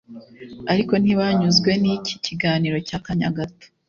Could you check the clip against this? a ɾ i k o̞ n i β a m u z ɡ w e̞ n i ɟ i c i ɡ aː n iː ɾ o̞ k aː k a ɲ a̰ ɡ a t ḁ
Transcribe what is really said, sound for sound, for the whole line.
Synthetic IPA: a ɾ i k o̞ n i β a ɲ u z ɡ w e̞ n i c i c i ɡ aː n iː ɾ o̞ c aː k a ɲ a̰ ɡ a t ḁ